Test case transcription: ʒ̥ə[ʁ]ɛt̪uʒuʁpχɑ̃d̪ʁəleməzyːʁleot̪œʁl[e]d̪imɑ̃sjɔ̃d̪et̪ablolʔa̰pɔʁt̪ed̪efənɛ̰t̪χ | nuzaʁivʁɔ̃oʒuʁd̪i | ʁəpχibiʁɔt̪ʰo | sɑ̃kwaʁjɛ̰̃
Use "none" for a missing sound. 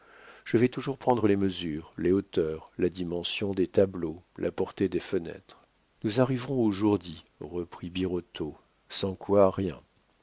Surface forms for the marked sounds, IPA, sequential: v, a

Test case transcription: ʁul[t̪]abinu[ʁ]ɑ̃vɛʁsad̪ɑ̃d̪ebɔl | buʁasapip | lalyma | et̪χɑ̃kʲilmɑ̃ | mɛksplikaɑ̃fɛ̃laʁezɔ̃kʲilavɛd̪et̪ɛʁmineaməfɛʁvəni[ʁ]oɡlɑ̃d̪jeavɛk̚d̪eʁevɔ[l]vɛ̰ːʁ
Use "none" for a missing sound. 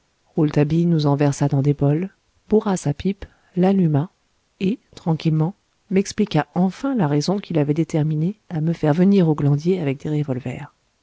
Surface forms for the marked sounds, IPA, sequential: t̪, z, ʁ, l

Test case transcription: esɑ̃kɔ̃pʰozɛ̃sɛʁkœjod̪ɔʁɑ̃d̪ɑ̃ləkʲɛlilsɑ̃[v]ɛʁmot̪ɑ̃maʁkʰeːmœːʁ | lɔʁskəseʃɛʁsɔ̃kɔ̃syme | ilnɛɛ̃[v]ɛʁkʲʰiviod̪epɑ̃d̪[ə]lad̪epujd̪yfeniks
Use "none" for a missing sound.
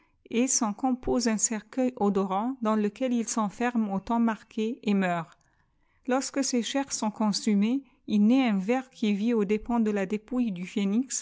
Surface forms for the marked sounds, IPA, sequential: f, v, ə

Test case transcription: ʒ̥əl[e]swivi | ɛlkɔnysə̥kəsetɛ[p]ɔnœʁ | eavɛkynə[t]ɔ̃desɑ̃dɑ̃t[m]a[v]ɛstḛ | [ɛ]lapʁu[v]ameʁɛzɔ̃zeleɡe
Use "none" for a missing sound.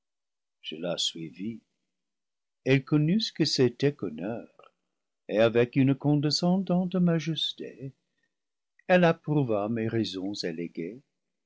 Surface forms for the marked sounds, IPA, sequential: a, k, k, m, ʒ, ɛ, v

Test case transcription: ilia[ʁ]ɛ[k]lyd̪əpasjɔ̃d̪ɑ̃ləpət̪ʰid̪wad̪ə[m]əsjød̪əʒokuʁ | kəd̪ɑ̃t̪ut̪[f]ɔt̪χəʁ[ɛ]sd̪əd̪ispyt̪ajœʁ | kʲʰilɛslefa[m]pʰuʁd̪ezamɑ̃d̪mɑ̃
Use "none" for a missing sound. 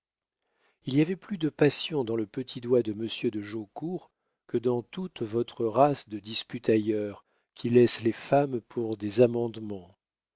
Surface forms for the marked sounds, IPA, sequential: v, p, m, v, a, m

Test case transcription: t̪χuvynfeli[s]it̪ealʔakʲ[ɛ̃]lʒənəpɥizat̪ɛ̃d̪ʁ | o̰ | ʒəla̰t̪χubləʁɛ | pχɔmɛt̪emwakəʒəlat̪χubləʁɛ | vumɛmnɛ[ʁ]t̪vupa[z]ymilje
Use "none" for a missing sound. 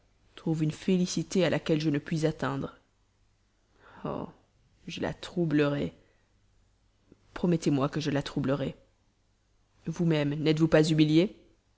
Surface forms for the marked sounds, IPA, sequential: s, ɛ, none, z

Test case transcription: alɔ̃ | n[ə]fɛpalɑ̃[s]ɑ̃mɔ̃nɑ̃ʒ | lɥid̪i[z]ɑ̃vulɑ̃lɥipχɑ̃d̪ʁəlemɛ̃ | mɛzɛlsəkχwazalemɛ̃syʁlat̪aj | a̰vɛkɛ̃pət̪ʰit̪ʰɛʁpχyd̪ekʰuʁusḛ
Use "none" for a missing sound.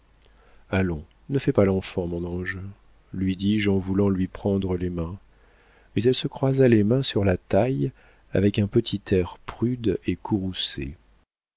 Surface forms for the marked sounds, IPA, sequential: ə, f, ʒ

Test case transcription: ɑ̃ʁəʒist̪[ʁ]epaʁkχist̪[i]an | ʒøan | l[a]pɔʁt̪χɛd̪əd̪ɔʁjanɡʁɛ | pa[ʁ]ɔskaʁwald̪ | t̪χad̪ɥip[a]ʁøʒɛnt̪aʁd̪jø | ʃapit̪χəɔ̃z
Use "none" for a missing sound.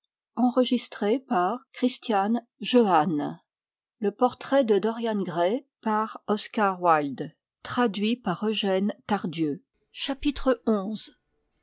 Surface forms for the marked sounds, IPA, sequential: χ, j, ə, ʁ, a

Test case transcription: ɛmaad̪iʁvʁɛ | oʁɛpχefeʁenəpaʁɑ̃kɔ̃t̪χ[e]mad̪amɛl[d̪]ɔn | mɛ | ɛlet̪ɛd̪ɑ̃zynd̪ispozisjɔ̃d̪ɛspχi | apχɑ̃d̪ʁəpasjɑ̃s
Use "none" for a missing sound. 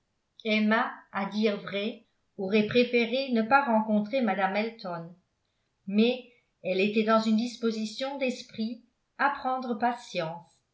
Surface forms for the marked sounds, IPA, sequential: e, t̪

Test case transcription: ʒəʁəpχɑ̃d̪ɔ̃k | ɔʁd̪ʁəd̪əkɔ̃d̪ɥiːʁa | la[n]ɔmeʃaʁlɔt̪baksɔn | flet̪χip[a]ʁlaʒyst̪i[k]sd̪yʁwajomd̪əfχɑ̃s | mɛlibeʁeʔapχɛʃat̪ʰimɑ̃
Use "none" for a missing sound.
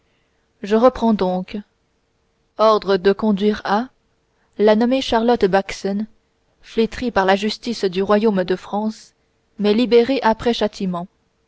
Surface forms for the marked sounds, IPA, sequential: n, a, none

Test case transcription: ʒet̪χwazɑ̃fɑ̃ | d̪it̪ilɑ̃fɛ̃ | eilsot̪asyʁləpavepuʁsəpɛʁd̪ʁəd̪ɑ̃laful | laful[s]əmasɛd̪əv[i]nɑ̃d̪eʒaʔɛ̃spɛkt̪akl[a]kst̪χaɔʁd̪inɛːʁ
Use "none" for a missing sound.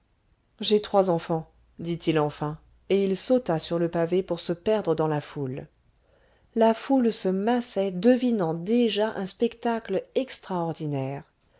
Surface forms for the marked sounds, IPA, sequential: s, i, ɛ

